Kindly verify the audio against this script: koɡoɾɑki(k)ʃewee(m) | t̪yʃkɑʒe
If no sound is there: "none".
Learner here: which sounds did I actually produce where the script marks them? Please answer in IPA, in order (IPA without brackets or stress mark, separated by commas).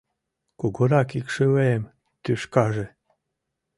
k, m